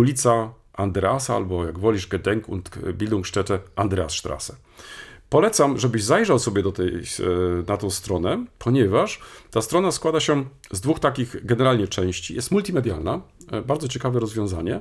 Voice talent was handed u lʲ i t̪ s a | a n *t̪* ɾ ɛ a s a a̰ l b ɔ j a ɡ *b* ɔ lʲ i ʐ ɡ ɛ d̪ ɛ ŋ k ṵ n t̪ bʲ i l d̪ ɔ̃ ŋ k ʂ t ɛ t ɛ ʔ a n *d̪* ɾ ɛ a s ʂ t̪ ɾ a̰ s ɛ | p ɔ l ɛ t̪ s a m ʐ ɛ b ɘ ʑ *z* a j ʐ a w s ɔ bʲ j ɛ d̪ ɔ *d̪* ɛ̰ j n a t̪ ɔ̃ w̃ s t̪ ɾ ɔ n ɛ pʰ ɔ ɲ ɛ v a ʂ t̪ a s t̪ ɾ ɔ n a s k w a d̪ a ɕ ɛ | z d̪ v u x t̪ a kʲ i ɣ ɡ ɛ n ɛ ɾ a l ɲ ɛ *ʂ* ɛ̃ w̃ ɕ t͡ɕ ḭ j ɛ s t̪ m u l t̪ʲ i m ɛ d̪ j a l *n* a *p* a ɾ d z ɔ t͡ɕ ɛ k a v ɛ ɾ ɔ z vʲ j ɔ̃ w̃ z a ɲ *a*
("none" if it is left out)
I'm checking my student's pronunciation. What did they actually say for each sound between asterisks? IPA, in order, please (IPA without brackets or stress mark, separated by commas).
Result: d̪, v, d̪, z, t̪, t͡ʂ, n, b, ɛ